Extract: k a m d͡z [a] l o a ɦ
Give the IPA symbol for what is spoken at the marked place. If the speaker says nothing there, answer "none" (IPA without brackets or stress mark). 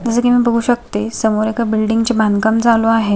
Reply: a